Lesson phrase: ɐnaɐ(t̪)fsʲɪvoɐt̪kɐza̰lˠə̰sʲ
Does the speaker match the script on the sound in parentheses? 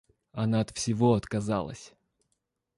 yes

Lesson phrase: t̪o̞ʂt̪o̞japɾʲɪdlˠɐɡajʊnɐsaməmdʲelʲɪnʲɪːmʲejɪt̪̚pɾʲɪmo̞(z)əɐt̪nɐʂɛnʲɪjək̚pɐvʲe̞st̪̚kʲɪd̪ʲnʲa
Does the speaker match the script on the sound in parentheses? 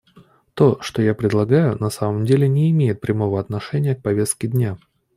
no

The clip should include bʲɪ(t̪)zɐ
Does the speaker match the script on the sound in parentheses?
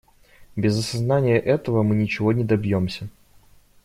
no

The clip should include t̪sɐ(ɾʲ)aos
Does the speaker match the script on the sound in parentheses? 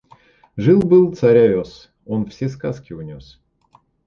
yes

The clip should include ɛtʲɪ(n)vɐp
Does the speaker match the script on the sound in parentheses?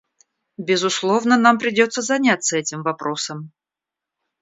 no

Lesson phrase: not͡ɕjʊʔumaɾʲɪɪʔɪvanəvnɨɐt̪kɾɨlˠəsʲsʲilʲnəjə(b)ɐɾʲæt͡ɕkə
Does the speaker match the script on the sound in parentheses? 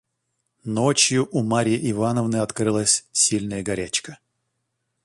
no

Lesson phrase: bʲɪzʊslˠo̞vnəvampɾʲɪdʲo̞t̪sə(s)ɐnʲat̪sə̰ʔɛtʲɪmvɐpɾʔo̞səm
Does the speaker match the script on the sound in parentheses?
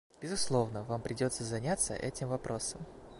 no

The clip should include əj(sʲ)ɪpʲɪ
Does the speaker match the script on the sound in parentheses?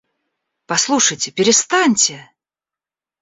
no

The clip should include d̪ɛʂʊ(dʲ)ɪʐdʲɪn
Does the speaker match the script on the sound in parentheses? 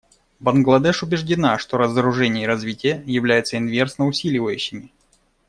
no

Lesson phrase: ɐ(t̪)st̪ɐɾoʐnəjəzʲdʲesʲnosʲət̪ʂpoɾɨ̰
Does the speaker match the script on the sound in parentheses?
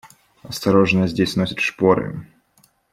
no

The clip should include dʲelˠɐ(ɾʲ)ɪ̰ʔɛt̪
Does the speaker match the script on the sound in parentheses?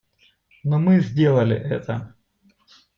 no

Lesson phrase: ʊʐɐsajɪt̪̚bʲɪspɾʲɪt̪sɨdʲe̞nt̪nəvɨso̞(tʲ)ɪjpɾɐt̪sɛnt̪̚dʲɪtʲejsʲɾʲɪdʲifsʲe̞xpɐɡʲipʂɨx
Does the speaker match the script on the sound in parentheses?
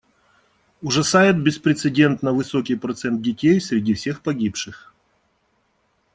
no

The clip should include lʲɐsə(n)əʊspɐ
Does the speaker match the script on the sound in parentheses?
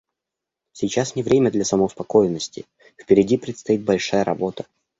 no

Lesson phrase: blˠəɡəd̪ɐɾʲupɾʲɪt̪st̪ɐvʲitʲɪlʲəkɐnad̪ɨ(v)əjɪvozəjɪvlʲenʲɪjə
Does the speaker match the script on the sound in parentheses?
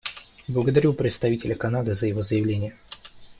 no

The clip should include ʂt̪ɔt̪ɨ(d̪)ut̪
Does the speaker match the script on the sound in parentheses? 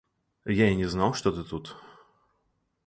no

